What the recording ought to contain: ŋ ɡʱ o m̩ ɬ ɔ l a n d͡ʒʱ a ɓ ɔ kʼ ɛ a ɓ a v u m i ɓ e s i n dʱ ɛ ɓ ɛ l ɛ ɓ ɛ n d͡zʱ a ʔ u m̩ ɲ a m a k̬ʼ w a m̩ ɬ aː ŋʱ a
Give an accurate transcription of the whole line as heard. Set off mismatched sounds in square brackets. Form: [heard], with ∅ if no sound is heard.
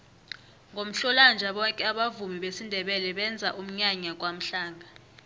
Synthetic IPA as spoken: ŋ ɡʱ o m̩ ɬ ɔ l a n d͡ʒʱ a ɓ ɔ kʼ ɛ a ɓ a v u m i ɓ e s i n dʱ ɛ ɓ ɛ l ɛ ɓ ɛ n d͡zʱ a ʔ u m̩ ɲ a [ɲ] a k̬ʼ w a m̩ ɬ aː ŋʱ a